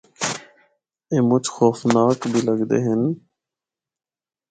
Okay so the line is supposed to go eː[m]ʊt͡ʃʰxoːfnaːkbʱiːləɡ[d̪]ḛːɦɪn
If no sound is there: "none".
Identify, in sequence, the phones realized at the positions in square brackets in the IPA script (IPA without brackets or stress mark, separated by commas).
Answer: m, d̪